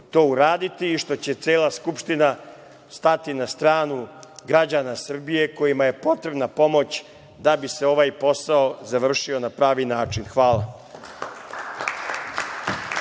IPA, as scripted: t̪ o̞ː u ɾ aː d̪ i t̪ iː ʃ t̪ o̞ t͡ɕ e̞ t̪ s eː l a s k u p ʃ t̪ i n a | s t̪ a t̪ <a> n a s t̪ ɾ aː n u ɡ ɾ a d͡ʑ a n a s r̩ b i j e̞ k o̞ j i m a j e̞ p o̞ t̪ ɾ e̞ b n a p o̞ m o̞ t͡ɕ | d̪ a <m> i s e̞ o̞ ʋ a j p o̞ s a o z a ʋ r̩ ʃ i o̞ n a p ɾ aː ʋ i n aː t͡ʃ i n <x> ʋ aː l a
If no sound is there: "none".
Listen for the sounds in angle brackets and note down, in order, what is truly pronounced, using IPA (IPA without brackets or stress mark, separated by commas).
i, b, x